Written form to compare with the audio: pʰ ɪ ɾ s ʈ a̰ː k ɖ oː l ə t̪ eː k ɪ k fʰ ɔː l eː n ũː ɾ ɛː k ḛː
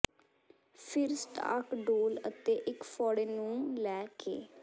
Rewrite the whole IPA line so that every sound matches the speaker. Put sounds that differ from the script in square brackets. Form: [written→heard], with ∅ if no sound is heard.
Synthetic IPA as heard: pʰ ɪ ɾ s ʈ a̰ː k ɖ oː l ə t̪ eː [k→ʔ] ɪ k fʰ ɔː [l→ɽ] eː n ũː [ɾ→l] ɛː k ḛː